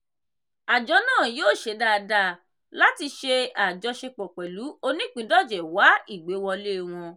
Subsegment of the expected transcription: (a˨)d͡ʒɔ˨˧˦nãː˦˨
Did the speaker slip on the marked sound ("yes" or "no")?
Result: no